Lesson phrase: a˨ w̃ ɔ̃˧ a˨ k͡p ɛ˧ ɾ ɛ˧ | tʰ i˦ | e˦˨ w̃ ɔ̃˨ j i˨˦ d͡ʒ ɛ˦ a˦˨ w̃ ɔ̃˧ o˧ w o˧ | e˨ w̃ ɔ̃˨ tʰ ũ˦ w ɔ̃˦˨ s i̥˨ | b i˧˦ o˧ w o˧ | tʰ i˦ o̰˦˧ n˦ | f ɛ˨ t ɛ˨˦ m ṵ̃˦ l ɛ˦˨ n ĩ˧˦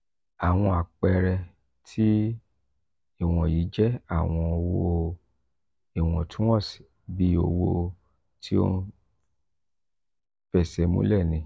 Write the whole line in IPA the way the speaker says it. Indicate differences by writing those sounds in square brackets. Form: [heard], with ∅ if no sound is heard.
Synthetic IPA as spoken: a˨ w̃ ɔ̃˧ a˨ k͡p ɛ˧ ɾ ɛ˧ | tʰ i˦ | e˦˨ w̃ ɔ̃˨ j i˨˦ d͡ʒ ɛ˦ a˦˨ w̃ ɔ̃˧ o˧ w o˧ | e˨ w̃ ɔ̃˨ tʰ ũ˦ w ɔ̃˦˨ s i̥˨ | b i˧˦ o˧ w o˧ | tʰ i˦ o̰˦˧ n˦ | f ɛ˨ [s] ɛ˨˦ m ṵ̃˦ l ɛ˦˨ n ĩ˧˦

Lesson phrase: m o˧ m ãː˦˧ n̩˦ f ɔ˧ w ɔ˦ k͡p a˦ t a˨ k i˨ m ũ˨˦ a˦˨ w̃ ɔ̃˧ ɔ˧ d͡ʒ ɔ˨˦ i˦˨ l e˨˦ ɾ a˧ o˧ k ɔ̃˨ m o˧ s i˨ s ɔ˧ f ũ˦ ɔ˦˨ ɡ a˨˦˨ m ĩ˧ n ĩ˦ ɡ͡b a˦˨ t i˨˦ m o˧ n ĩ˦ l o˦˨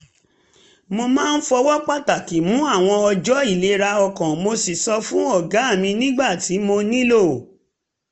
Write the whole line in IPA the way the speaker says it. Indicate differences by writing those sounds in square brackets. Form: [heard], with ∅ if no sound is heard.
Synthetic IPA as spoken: m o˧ m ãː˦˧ n̩˦ f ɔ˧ w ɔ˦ k͡p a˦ t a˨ k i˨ m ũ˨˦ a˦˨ w̃ ɔ̃˧ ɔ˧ d͡ʒ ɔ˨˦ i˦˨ l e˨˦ ɾ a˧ [ɔ˧] k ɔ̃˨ m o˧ s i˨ s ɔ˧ f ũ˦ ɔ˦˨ ɡ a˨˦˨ m ĩ˧ n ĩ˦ ɡ͡b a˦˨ t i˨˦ m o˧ n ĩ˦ l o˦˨

